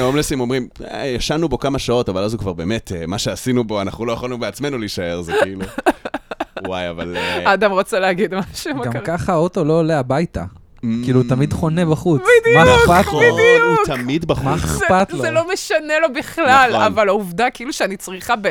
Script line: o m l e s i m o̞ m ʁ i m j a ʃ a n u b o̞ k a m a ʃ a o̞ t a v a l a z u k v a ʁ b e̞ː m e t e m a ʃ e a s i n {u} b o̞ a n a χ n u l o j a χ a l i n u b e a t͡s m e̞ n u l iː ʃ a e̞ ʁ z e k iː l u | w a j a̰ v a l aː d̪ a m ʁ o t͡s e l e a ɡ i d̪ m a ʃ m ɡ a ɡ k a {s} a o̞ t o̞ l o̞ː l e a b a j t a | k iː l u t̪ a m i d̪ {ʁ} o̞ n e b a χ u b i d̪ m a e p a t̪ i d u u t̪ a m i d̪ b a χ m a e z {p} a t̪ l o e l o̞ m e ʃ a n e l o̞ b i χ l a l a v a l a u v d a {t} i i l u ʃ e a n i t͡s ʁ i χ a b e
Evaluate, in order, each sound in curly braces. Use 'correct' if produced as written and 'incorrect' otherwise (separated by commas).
correct, incorrect, incorrect, correct, incorrect